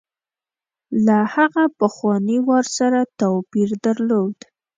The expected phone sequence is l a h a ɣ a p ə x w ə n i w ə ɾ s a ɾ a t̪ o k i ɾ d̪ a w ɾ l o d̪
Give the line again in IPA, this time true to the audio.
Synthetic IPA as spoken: l a h a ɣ a p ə x w ɑ n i w ɑ ɾ s a ɾ a t̪ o p i ɾ d̪ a ɾ l o d̪